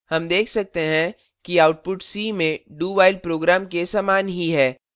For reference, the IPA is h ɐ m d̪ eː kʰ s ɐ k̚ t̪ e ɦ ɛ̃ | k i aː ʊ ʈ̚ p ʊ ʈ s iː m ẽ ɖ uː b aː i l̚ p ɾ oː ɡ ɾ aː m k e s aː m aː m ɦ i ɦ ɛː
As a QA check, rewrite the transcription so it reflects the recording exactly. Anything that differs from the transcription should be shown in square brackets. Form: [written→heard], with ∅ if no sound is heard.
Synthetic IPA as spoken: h ɐ m d̪ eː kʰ s ɐ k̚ t̪ e ɦ ɛ̃ | k i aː ʊ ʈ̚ p ʊ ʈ s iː m ẽ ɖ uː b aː [i→ɪ] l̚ p ɾ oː ɡ ɾ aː m k e s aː m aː [m→n] ɦ i ɦ ɛː